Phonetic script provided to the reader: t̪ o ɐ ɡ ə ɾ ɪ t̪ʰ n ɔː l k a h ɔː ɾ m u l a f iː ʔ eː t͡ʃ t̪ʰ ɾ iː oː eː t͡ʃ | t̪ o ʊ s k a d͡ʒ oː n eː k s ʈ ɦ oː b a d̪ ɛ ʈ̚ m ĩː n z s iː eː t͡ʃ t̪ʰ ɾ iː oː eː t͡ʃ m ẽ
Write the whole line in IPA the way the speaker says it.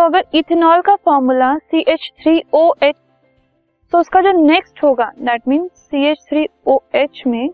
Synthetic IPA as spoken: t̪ o ɐ ɡ ə ɾ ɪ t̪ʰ n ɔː l k a f ɔː ɾ m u l a s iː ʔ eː t͡ʃ t̪ʰ ɾ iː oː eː t͡ʃ | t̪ o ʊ s k a d͡ʒ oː n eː k s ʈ ɦ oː ɡ a d̪ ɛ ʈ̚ m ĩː n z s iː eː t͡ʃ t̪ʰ ɾ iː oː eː t͡ʃ m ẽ